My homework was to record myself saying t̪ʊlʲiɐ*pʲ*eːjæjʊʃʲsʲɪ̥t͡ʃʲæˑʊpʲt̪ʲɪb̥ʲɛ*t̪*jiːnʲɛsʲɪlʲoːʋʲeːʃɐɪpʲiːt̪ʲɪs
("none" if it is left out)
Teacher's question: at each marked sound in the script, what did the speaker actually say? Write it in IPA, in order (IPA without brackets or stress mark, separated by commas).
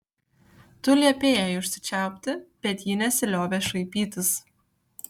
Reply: pʲ, t̪